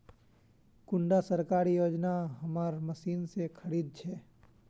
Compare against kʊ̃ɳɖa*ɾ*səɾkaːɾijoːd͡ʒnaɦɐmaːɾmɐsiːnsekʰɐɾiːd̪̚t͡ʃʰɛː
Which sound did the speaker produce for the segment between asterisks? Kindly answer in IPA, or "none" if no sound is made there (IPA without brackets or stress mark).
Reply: none